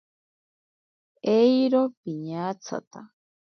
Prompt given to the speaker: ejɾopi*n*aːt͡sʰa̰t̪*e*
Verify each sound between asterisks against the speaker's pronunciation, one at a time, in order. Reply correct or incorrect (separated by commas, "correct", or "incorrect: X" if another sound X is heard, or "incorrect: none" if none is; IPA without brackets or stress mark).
incorrect: ɲ, incorrect: a